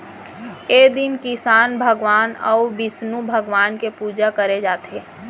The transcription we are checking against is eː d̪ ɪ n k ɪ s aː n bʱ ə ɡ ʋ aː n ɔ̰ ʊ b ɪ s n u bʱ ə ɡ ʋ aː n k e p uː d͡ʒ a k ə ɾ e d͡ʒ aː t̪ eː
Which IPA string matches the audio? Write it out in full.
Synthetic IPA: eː d̪ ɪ n k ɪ s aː n bʱ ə ɡ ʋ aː n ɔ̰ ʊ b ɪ s n u bʱ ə ɡ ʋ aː n k e p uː d͡ʒ a k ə ɾ e d͡ʒ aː t̪ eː